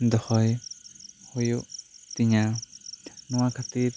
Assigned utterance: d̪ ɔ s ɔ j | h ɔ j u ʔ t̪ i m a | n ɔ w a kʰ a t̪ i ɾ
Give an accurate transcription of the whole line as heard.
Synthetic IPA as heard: d̪ ɔ h ɔ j | h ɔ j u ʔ t̪ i ɲ a | n ɔ w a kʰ a t̪ i ɾ